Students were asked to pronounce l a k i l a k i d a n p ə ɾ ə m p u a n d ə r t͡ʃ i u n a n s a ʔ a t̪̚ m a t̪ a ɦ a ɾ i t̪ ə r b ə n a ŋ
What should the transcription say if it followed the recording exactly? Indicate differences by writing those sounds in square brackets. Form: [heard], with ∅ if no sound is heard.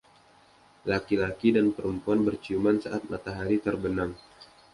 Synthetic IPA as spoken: l a k i l a k i d a n p ə ɾ ə m p u a n [b] ə r t͡ʃ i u [m] a n s a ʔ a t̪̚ m a t̪ a ɦ a ɾ i t̪ ə r b ə n a ŋ